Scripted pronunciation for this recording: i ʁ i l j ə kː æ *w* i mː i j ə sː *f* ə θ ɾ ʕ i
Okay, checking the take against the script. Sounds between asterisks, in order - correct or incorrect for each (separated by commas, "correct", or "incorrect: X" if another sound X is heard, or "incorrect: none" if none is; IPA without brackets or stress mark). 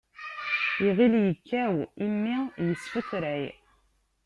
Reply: correct, correct